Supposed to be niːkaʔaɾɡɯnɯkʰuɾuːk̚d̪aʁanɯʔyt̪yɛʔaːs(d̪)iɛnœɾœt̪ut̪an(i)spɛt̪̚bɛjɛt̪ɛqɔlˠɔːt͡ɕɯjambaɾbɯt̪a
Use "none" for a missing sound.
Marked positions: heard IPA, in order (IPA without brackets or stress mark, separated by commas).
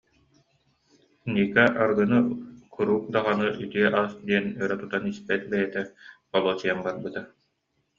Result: d̪, i